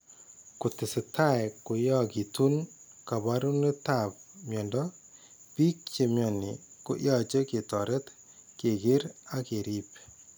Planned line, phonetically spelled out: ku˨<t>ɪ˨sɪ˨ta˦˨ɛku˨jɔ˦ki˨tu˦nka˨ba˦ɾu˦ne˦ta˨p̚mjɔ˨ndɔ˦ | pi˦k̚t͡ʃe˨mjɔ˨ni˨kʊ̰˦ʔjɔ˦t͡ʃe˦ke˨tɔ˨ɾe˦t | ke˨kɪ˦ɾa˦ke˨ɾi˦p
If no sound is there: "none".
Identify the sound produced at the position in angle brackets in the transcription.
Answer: t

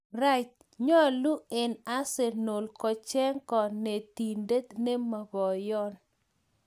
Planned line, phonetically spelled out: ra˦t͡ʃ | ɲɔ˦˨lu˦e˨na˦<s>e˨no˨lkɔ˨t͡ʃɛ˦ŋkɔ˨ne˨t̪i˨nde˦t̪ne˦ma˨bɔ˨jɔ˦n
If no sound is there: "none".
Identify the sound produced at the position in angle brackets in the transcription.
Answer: s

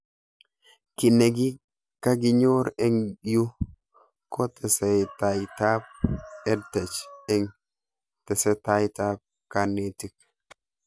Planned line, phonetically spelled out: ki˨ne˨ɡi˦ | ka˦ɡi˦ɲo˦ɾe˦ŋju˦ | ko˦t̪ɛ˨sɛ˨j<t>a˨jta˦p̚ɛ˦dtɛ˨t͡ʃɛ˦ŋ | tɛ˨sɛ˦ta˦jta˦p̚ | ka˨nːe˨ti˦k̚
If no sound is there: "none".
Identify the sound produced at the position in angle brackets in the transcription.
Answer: t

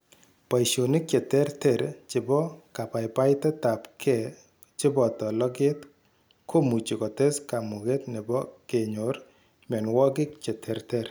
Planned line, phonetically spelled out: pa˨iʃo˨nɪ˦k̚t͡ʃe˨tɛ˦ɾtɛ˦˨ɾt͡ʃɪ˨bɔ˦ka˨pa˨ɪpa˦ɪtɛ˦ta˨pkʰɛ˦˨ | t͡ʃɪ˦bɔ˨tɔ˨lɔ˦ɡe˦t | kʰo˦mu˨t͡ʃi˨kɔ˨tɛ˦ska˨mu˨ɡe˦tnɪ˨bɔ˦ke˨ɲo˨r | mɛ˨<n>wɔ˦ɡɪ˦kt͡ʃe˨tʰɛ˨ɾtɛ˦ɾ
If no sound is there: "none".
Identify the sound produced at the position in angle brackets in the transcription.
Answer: n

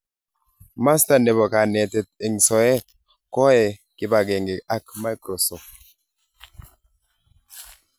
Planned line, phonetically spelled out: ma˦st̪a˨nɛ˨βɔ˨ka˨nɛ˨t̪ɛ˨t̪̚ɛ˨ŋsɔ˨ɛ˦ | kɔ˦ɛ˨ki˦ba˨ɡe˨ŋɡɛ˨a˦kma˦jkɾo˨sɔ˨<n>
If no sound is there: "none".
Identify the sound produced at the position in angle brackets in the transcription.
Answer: none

